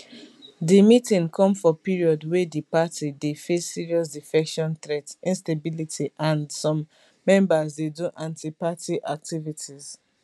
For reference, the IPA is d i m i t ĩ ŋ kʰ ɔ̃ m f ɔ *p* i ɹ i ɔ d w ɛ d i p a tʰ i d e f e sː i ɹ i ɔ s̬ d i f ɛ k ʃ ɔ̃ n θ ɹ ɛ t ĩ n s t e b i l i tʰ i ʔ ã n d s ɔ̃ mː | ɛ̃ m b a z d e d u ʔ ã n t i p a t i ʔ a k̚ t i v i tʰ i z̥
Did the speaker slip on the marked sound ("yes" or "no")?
no